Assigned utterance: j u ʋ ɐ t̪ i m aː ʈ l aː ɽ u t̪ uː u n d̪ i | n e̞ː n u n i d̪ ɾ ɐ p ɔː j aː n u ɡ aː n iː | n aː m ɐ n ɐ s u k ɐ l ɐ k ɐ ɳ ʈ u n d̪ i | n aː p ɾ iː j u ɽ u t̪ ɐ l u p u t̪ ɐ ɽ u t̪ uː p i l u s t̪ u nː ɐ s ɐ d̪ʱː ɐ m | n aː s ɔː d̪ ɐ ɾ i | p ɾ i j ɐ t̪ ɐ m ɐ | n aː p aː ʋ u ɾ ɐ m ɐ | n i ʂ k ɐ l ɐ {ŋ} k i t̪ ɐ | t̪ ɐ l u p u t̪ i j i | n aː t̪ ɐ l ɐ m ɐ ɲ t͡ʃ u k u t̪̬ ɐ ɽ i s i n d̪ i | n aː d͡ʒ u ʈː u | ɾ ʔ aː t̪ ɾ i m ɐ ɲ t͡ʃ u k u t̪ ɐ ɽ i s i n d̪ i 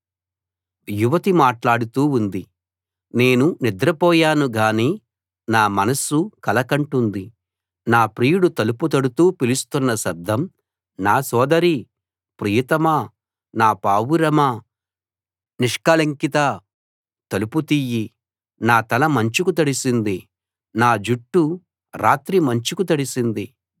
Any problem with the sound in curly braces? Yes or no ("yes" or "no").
no